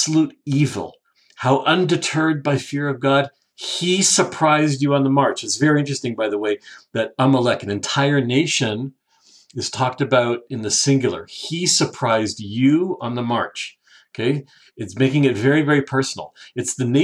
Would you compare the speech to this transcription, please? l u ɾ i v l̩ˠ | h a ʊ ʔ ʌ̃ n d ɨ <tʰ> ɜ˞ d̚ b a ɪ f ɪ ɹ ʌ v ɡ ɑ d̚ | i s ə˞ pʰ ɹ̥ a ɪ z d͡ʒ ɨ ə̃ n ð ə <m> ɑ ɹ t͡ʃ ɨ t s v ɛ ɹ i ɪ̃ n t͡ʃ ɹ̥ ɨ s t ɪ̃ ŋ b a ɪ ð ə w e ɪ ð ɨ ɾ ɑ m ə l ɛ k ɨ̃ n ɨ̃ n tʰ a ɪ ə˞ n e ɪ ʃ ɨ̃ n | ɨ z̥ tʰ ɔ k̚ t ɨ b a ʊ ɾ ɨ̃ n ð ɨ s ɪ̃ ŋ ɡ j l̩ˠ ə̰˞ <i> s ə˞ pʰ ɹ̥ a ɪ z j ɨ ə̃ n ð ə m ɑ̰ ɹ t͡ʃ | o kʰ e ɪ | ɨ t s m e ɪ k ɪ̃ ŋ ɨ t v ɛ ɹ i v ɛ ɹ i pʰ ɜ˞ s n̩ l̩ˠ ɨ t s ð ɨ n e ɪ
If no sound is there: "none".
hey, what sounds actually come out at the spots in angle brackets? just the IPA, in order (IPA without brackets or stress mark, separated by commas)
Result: tʰ, m, i